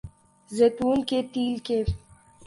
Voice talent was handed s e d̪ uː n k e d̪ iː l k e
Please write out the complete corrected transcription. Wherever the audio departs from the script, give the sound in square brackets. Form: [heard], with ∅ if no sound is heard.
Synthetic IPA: [z] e [t̪] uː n k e [t̪] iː l k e